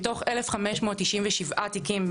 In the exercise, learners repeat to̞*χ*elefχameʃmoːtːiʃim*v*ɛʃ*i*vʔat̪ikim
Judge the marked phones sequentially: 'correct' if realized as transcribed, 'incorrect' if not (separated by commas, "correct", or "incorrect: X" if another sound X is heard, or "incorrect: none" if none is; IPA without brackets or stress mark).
correct, correct, correct